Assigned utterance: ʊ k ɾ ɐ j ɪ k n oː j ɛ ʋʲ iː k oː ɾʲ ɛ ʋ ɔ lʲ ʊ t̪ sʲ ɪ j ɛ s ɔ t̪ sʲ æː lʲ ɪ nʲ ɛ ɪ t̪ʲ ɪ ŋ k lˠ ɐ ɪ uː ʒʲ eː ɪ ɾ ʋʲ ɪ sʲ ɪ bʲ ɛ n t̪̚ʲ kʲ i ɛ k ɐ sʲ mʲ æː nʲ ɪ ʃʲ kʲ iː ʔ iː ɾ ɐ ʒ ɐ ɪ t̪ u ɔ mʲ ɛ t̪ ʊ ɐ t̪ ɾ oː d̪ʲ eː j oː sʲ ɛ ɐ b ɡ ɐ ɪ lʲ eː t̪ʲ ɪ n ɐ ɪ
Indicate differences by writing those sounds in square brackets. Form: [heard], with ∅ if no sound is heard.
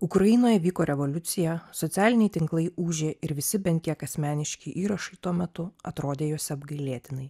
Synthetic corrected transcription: ʊ k ɾ ɐ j ɪ [∅] n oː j ɛ ʋʲ iː k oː ɾʲ ɛ ʋ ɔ lʲ ʊ t̪ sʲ ɪ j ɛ s ɔ t̪ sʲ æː lʲ ɪ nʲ ɛ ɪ t̪ʲ ɪ ŋ k lˠ ɐ ɪ uː ʒʲ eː ɪ ɾ ʋʲ ɪ sʲ ɪ bʲ ɛ n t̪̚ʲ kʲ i ɛ k ɐ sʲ mʲ æː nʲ ɪ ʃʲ kʲ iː ʔ iː ɾ ɐ [ʃ] ɐ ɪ t̪ u ɔ mʲ ɛ t̪ ʊ ɐ t̪ ɾ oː d̪ʲ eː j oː sʲ ɛ ɐ b ɡ ɐ ɪ lʲ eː t̪ʲ ɪ n ɐ ɪ